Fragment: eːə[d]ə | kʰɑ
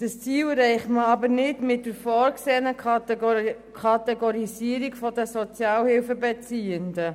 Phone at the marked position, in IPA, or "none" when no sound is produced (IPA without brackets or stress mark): n